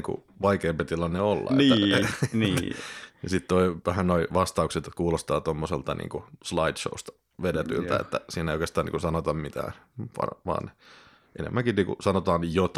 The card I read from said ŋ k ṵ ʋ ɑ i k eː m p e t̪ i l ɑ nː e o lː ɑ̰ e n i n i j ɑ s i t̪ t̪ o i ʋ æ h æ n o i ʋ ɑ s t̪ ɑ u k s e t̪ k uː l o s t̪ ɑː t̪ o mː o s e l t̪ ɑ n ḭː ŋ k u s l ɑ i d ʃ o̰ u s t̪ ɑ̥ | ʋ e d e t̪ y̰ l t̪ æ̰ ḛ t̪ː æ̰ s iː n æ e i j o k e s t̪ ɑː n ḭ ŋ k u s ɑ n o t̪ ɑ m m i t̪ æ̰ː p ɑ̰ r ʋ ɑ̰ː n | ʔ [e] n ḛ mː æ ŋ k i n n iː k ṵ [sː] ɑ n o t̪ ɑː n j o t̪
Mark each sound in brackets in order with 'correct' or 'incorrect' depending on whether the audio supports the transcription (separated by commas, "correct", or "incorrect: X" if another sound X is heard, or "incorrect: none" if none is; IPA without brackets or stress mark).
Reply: correct, incorrect: s